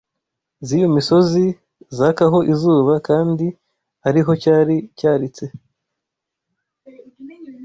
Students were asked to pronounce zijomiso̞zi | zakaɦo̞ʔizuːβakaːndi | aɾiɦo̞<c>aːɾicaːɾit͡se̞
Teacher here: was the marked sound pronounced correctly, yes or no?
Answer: yes